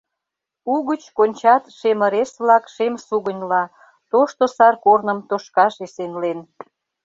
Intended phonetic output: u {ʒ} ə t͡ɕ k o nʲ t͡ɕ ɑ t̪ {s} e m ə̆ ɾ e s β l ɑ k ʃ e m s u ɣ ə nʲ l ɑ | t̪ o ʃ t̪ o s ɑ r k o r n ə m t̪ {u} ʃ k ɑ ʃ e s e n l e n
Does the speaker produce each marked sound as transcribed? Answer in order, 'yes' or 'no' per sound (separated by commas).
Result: no, no, no